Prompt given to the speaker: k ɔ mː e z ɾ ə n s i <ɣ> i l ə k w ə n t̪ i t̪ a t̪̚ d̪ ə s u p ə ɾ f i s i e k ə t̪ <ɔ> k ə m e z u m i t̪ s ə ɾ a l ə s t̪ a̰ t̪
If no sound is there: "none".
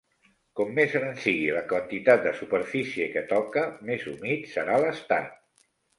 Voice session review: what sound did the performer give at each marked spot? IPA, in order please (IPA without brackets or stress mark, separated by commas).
ɣ, ɔ